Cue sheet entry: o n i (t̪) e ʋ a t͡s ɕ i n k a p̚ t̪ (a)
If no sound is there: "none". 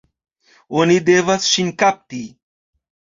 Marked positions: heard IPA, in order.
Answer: d̪, i

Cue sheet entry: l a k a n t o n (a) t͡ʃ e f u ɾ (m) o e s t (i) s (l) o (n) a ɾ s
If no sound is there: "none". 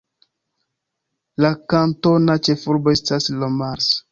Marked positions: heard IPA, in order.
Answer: a, b, a, l, m

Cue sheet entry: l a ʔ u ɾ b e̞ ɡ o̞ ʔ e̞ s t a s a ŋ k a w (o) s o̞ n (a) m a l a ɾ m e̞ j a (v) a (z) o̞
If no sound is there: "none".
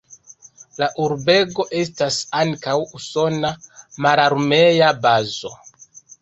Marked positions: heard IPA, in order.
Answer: u, a, b, z

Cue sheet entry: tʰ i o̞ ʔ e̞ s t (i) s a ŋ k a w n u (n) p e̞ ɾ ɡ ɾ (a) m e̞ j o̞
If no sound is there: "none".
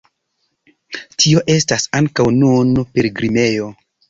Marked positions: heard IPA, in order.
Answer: a, n, i

